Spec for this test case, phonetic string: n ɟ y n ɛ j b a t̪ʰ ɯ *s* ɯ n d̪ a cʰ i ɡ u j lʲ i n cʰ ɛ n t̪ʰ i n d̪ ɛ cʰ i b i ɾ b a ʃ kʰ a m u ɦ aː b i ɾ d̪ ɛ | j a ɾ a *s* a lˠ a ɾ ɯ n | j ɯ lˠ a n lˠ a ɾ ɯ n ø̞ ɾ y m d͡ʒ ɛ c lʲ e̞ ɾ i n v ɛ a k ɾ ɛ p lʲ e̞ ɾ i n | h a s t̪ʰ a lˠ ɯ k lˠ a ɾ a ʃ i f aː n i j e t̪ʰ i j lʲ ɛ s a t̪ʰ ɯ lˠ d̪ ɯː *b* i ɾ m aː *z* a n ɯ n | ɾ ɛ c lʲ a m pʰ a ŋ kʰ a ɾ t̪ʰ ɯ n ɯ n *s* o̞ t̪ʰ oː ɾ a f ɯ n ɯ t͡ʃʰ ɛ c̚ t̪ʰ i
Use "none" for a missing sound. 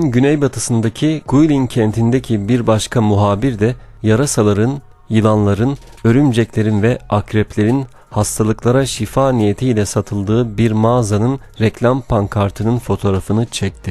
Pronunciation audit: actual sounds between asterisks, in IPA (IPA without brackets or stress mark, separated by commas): s, s, b, z, f